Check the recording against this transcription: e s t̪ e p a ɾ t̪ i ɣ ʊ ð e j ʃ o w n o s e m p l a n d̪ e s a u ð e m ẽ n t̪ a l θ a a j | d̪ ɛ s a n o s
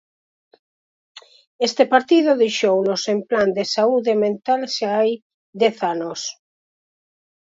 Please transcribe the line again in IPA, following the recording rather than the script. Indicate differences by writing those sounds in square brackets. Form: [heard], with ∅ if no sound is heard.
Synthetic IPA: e s t̪ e p a ɾ t̪ i [ð] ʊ ð e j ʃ o w n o s e m p l a n d̪ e s a u ð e m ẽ n t̪ a l [ʃ] a a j | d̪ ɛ [θ] a n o s